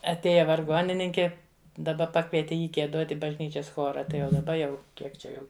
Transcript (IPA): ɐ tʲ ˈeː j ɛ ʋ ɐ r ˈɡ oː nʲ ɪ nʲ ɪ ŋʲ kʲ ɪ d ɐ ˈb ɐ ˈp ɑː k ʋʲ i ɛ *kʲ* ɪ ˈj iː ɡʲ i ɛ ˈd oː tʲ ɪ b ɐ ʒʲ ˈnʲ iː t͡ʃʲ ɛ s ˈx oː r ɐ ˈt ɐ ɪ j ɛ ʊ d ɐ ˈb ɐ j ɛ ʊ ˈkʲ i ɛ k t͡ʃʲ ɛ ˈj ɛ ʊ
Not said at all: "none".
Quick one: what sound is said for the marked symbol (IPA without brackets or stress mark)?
tʲ